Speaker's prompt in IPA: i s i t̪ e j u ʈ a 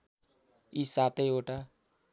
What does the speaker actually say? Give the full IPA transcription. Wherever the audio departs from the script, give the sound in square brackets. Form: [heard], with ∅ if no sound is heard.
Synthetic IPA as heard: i s [a] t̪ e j [o] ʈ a